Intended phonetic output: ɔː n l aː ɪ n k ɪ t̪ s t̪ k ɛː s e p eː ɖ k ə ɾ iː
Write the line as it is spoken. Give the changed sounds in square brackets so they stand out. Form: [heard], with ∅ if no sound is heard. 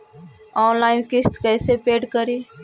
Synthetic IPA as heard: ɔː n l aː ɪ n k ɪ [∅] s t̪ k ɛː s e p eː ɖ k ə ɾ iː